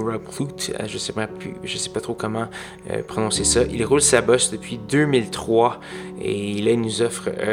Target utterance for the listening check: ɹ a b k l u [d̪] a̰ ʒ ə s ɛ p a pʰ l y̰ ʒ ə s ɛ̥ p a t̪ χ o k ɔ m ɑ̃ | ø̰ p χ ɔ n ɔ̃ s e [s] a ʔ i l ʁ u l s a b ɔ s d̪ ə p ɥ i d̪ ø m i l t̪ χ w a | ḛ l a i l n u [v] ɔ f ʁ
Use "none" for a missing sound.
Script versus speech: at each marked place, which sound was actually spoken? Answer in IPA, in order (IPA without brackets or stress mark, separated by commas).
t̪, s, z